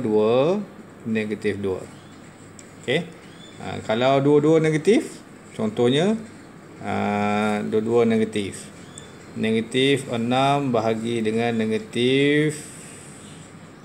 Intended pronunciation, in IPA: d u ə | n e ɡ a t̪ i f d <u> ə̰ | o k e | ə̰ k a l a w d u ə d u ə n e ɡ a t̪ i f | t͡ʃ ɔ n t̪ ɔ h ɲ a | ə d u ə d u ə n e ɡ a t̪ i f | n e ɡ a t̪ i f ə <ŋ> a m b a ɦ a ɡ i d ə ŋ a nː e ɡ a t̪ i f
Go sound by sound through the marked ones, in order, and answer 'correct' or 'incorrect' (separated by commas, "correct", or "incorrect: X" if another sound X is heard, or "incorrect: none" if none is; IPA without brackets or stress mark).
correct, incorrect: n